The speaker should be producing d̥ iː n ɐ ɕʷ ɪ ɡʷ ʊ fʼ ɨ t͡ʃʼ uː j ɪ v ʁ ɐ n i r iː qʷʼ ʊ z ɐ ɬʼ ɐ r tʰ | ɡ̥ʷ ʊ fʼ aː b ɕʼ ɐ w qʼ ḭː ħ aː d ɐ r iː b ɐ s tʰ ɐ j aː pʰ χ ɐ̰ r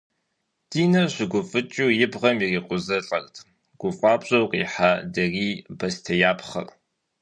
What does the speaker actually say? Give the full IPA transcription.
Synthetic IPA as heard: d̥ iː n ɐ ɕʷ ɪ ɡʷ ʊ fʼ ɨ t͡ʃʼ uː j ɪ b ʁ ɐ m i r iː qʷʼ ʊ z ɐ ɬʼ ɐ r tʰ | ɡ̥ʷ ʊ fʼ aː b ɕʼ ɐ w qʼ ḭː ħ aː d ɐ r iː b ɐ s tʰ ɐ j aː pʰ χ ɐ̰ r

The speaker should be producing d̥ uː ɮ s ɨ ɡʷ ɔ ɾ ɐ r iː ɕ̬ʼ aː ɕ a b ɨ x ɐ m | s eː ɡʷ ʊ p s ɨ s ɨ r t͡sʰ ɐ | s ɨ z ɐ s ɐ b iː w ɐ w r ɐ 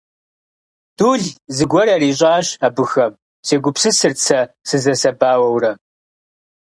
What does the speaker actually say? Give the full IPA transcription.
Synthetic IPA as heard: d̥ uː ɮ z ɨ ɡʷ ɔ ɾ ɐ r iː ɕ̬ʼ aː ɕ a b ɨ x ɐ m | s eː ɡʷ ʊ p s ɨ s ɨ r t͡sʰ ɐ | s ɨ z ɐ s ɐ b aː w ɐ w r ɐ

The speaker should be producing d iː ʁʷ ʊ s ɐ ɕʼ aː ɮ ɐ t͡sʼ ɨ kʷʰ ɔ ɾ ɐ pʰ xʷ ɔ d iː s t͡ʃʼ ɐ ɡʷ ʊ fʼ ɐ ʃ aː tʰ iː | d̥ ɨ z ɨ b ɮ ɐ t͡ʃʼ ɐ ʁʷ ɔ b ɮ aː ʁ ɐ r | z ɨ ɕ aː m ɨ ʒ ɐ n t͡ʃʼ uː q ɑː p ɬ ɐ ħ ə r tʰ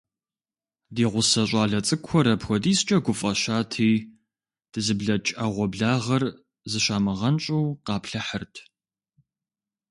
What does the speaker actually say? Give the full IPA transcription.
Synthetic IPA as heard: d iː ʁʷ ʊ s ɐ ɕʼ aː ɮ ɐ t͡sʼ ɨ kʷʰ ɔ ɾ ɐ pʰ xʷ ɔ d iː s t͡ʃʼ ɐ ɡʷ ʊ fʼ ɐ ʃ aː tʰ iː | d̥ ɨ z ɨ b ɮ ɐ t͡ʃʼ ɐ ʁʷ ɔ b ɮ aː ʁ ɐ r | z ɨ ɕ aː m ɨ ʁ ɐ n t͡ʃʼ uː q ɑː p ɬ ɐ ħ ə r tʰ

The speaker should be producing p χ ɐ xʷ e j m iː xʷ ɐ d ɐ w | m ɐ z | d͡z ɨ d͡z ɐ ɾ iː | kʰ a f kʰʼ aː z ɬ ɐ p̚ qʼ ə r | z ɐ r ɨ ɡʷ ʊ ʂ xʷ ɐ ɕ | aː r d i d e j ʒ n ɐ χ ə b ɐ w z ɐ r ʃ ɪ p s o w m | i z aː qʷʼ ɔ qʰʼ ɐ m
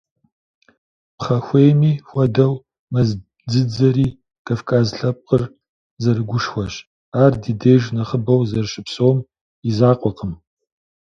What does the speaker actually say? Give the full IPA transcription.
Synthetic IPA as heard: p χ ɐ xʷ e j m iː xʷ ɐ d ɐ w | m ɐ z | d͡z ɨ d͡z ɐ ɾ iː | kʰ a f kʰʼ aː z ɬ ɐ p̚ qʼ ə r | z ɐ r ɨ ɡʷ ʊ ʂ xʷ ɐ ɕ | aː r d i d e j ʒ n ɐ χ ə b ɐ w z ɐ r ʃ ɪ p s o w m | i z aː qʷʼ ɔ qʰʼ ə m

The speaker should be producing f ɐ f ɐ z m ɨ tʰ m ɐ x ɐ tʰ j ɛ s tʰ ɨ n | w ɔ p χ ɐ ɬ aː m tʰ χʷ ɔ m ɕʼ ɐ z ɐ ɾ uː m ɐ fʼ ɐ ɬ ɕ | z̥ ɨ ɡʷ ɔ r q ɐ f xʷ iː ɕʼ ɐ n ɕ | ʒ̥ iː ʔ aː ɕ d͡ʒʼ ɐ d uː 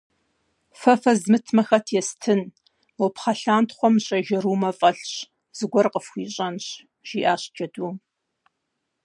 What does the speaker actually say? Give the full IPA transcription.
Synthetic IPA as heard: f ɐ f ɐ z m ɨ tʰ m ɐ x ɐ tʰ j ɛ s tʰ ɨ n | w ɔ p χ ɐ ɬ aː n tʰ χʷ ɔ m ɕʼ ɐ ʒ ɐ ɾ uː m ɐ fʼ ɐ ɬ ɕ | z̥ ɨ ɡʷ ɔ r q ə f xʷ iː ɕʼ ɐ n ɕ | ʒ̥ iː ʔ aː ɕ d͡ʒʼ ɐ d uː

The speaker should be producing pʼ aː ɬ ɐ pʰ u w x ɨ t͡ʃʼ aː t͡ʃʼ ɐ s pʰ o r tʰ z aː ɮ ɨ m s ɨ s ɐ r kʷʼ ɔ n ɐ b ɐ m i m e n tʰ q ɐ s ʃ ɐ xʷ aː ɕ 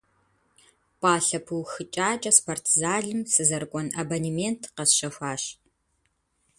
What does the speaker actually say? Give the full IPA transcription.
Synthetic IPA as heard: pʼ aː ɬ ɐ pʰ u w x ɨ t͡ʃʼ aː t͡ʃʼ ɐ s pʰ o r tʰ z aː ɮ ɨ m s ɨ z ɐ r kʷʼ ɔ n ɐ b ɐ n i m e n tʰ q ɐ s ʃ ɐ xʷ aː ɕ

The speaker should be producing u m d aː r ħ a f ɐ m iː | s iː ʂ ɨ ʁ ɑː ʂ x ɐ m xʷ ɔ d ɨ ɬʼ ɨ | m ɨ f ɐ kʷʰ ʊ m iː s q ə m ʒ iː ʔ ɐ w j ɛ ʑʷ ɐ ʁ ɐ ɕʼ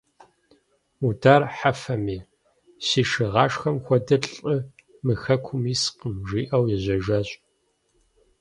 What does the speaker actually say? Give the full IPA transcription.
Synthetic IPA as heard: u d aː r ħ a f ɐ m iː | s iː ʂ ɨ ʁ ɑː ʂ x ɐ m xʷ ɔ d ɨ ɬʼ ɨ | m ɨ x ɐ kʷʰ ʊ m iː s q ə m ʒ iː ʔ ɐ w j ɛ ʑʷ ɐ ʒ ɐ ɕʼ

